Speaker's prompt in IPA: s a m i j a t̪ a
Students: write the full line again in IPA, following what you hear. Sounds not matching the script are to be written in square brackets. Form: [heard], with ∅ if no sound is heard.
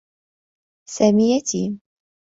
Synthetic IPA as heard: s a m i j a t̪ [i]